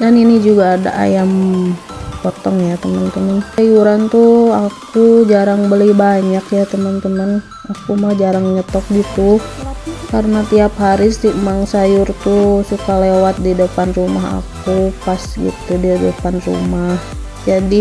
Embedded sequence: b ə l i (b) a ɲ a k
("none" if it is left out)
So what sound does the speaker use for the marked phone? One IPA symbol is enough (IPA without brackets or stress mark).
b